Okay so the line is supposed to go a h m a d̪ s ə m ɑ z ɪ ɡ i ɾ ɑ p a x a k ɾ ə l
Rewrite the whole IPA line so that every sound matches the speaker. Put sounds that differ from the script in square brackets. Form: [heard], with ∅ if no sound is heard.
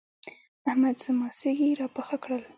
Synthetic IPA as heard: a h m a d̪ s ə m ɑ [s] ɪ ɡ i ɾ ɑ p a x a k [ɽ] ə l